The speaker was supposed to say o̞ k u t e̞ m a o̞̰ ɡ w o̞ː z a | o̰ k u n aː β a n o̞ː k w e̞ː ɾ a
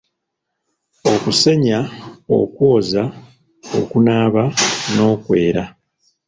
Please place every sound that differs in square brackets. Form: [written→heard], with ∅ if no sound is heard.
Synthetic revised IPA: o̞ k u [t→s] e̞ [m→ɲ] a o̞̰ [ɡ→k] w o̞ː z a | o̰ k u n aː β a n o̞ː k w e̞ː ɾ a

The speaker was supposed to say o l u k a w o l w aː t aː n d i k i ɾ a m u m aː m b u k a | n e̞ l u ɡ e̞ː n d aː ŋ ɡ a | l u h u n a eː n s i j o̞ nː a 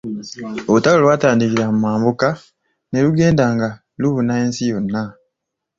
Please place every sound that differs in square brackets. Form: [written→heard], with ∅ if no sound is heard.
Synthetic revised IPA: o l u [k→t] a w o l w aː t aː n d i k i ɾ a m u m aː m b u k a | n e̞ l u ɡ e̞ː n d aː ŋ ɡ a | l u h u n a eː n s i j o̞ nː a

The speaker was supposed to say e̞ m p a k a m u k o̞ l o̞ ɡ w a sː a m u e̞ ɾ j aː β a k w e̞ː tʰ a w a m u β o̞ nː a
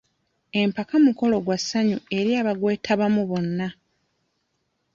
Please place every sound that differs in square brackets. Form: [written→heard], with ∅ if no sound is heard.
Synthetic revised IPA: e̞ m p a k a m u k o̞ l o̞ ɡ w a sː a [m→ɲ] u e̞ ɾ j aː β a [k→ɡ] w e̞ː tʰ a [w→β] a m u β o̞ nː a

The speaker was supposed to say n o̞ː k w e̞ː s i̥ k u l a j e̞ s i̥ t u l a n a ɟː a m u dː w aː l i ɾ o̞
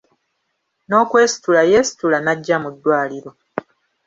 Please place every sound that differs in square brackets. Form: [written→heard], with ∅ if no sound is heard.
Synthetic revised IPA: n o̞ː k w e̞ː s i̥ [k→t] u l a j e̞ s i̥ t u l a n a ɟː a m u dː w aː l i ɾ o̞

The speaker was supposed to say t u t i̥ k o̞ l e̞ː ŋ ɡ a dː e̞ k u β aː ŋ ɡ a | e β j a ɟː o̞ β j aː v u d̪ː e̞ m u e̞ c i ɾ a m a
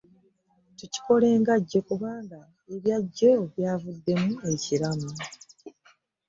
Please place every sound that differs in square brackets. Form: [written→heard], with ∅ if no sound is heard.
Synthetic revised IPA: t u [t→c] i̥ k o̞ l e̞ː ŋ ɡ a [dː→ɟː] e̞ k u β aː ŋ ɡ a | e β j a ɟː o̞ β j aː v u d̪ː e̞ m u e̞ c i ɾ a m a

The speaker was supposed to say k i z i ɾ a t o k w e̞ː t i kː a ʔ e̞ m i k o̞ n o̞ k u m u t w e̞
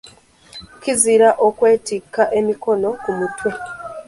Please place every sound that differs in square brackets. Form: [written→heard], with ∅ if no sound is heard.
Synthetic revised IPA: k i z i ɾ a [t→ʔ] o k w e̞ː t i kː a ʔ e̞ m i k o̞ n o̞ k u m u t w e̞

